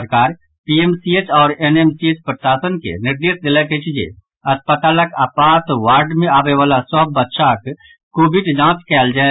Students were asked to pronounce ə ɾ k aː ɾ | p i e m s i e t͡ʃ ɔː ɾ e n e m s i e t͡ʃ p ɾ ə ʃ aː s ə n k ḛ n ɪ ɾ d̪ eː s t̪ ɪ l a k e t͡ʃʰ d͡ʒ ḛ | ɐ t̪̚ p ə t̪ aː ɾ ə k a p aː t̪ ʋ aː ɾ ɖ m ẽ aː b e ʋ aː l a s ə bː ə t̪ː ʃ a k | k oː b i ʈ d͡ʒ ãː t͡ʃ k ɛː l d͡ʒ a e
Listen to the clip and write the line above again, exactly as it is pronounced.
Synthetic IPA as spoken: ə ɾ k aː ɾ | p i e m s i e t͡ʃ ɔː ɾ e n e m s i e t͡ʃ p ɾ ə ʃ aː s ə n k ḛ n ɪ ɾ d̪ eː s d̪ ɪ l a k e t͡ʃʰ d͡ʒ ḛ | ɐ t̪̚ p ə t̪ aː l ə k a p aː t̪ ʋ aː ɾ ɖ m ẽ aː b e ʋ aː l a s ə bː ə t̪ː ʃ a k | k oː b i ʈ d͡ʒ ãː t͡ʃ k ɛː l d͡ʒ a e